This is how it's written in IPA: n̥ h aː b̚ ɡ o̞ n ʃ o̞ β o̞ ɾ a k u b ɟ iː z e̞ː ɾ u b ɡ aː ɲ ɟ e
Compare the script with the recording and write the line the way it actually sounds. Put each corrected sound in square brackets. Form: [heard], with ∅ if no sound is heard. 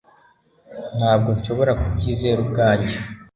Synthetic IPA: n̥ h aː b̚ ɡ o̞ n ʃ o̞ β o̞ ɾ a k u b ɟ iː z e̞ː ɾ u b ɡ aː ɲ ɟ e